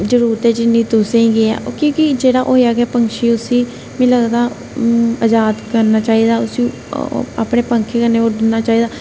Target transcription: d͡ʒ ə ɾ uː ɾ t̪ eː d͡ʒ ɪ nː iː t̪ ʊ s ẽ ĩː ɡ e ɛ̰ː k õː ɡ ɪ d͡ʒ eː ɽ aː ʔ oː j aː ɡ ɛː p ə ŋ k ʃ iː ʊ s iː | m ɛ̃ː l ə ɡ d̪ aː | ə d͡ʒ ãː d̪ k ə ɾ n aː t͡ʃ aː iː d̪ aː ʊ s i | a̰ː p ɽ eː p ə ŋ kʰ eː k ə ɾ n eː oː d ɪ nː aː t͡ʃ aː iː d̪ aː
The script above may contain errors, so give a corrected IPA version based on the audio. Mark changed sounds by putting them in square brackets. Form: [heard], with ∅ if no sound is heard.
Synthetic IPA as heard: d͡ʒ ə ɾ uː ɾ t̪ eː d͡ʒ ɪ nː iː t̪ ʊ s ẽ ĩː ɡ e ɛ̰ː k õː [k] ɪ d͡ʒ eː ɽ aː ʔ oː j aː ɡ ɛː p ə ŋ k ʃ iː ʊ s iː | m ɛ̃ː l ə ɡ d̪ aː | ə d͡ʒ [aː] d̪ k ə ɾ n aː t͡ʃ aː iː d̪ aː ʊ s i | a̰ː p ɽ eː p ə ŋ kʰ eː k ə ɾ n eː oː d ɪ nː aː t͡ʃ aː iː d̪ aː

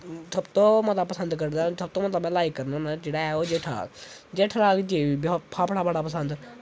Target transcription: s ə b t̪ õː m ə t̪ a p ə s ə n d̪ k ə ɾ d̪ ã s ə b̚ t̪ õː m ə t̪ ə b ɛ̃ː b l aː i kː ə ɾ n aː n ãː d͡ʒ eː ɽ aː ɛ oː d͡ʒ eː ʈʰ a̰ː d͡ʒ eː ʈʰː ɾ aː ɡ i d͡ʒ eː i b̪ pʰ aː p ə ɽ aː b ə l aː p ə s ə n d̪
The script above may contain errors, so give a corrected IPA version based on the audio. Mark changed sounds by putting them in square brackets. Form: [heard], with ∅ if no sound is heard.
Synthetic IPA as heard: s ə b t̪ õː m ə t̪ a p ə s ə n d̪ k ə ɾ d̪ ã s ə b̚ t̪ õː m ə t̪ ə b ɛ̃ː [∅] l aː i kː ə ɾ n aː n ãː d͡ʒ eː ɽ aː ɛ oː d͡ʒ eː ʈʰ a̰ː d͡ʒ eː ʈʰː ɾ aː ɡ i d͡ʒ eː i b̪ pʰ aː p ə ɽ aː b ə [ɽ] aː p ə s ə n d̪

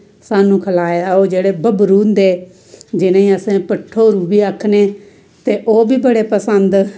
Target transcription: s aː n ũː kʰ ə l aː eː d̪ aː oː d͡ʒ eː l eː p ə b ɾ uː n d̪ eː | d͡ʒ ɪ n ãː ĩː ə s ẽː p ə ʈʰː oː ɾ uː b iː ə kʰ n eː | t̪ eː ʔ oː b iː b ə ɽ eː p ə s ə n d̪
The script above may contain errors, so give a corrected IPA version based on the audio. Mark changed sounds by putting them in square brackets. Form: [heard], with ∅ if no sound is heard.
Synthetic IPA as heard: s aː n ũː kʰ ə l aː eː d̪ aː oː d͡ʒ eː [ɽ] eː [b] ə b ɾ uː n d̪ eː | d͡ʒ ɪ n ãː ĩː ə s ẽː p ə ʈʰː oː ɾ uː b iː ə kʰ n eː | t̪ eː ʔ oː b iː b ə ɽ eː p ə s ə n d̪

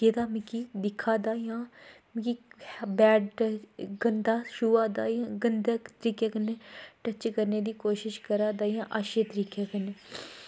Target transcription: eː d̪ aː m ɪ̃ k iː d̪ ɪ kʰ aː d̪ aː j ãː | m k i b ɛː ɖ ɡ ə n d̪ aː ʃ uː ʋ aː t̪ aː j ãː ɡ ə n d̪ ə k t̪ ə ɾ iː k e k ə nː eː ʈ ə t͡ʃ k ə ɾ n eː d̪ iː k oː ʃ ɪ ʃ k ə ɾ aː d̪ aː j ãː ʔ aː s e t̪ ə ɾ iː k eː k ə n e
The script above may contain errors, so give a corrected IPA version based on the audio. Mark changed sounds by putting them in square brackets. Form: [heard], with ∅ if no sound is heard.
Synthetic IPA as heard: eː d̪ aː m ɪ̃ k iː d̪ ɪ kʰ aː d̪ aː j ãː | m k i b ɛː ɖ ɡ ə n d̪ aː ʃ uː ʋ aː [d̪] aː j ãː ɡ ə n d̪ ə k t̪ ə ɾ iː k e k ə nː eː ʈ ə t͡ʃ k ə ɾ n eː d̪ iː k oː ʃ ɪ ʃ k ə ɾ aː d̪ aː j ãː ʔ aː [ʃ] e t̪ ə ɾ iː k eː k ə n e

